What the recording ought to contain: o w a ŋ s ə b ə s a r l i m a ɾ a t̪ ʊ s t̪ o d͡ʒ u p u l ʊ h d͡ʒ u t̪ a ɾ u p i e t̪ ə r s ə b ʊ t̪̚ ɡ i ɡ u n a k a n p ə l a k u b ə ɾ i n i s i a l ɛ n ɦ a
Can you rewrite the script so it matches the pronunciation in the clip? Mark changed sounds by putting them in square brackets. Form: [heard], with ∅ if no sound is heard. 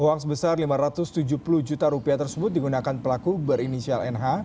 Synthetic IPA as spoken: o w a ŋ s ə b ə s a r l i m a ɾ a t̪ ʊ s t̪ [u] d͡ʒ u p u l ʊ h d͡ʒ u t̪ a ɾ u p i [a] t̪ ə r s ə b ʊ t̪̚ [d] i ɡ u n a k a n p ə l a k u b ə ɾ i n i s i a l ɛ n ɦ a